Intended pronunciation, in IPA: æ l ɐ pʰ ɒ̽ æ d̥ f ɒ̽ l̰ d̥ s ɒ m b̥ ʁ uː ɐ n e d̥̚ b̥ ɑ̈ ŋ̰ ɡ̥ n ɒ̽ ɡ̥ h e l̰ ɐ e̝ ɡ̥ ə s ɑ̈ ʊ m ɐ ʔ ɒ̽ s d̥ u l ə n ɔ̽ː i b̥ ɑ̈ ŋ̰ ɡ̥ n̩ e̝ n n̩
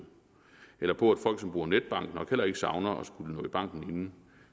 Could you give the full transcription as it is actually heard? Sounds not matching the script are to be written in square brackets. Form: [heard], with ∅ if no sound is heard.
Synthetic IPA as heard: [e] l ɐ pʰ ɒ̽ æ d̥ f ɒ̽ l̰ [ɡ̥] s ɒ m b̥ ʁ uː ɐ n e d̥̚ b̥ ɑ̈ ŋ̰ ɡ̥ n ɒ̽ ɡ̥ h e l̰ ɐ e̝ ɡ̥ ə s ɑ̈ ʊ [n] ɐ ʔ ɒ̽ s [ɡ̥] u l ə n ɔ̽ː i b̥ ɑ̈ ŋ̰ ɡ̥ n̩ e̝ n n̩